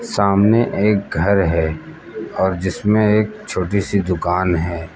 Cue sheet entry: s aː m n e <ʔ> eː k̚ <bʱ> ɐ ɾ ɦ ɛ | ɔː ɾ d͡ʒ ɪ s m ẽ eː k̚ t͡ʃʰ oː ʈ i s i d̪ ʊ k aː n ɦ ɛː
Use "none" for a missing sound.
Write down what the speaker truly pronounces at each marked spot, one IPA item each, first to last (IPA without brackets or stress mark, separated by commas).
ʔ, ɡʱ